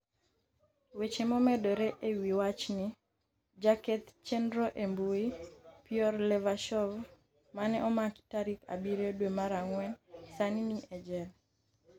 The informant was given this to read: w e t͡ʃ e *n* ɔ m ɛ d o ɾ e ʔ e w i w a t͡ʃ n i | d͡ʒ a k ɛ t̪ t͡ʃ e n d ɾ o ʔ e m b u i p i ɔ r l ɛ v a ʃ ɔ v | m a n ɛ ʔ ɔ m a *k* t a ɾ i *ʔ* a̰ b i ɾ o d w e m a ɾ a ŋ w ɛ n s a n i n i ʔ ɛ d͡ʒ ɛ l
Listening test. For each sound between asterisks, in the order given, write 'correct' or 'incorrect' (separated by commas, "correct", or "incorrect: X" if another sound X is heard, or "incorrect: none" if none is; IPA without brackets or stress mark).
incorrect: m, correct, incorrect: k